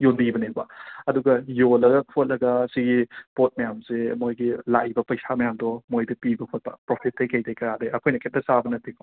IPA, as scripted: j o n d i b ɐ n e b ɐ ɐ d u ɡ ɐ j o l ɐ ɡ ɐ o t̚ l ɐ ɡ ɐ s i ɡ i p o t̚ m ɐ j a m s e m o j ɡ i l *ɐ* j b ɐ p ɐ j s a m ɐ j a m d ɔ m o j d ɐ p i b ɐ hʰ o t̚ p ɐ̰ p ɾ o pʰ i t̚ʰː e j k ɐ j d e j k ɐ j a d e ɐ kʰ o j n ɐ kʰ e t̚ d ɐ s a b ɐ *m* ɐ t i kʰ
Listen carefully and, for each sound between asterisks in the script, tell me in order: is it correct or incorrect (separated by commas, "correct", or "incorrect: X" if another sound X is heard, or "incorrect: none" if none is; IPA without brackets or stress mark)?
incorrect: a, incorrect: n